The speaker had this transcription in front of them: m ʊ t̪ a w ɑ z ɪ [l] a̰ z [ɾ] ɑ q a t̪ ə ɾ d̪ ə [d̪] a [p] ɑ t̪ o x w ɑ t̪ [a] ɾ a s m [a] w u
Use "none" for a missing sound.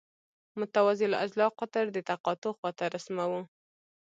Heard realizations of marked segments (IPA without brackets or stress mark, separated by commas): l, l, t̪, q, a, a